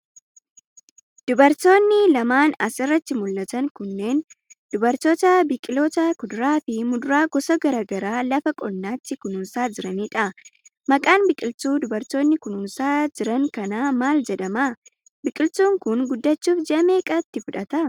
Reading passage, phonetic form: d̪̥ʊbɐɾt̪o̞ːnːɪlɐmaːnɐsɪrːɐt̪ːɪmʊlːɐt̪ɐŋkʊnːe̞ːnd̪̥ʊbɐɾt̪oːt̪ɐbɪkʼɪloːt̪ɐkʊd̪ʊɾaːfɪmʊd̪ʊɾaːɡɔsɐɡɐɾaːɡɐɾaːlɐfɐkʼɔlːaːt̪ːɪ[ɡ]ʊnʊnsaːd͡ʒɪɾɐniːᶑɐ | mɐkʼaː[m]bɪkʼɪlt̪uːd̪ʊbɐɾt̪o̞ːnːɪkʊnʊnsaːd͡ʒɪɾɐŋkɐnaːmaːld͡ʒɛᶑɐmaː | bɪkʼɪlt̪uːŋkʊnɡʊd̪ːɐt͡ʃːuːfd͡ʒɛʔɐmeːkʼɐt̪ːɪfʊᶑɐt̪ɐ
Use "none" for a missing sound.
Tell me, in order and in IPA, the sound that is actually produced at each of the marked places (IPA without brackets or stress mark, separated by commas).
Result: k, n